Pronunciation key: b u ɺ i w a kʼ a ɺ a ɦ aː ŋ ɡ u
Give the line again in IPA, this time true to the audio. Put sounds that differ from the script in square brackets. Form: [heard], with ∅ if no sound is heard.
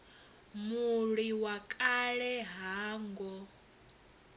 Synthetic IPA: [m] u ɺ i w a kʼ a ɺ [ɛ] ɦ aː ŋ ɡ [ɔ]